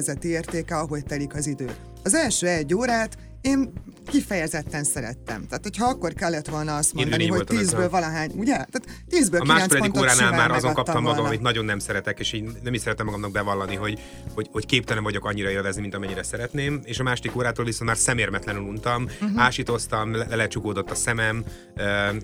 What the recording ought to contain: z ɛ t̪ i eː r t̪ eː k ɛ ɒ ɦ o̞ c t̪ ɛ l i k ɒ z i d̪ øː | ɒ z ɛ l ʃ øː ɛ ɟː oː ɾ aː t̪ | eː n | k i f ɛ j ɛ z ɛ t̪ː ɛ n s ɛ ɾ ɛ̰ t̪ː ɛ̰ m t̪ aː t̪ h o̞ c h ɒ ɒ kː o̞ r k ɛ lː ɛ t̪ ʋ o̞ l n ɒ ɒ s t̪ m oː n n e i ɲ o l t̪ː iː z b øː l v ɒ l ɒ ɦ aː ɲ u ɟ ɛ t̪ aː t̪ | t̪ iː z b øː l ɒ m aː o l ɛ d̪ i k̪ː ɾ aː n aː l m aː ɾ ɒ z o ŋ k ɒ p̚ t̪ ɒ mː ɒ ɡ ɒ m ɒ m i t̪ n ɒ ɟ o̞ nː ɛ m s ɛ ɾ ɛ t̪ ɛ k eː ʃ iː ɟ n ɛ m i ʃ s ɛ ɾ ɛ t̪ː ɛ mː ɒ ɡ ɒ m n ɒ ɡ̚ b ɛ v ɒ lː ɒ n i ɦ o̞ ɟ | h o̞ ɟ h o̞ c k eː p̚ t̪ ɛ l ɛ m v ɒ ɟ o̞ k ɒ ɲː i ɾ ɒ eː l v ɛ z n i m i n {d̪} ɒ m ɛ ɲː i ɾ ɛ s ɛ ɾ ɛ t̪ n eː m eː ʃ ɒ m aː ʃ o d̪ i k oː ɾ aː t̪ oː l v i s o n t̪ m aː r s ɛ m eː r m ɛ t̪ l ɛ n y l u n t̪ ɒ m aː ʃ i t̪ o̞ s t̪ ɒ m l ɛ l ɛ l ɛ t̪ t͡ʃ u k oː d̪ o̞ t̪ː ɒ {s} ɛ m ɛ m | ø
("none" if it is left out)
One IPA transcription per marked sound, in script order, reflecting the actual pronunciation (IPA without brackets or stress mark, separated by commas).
t̪, s